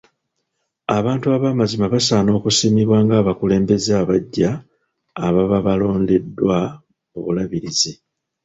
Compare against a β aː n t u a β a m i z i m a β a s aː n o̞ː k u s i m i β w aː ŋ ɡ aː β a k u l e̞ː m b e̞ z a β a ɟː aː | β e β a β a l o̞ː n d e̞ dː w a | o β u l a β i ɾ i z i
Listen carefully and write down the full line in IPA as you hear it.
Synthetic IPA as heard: a β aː n t u a β a m a z i m a β a s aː n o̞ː k u s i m i β w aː ŋ ɡ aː β a k u l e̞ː m b e̞ z a β a ɟː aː | β a β a β a l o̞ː n d e̞ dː w a | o β u l a β i ɾ i z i